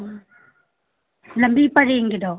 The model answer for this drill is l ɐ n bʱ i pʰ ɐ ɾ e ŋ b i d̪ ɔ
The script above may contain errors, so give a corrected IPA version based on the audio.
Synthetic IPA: l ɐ m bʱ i p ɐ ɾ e ŋ ɡ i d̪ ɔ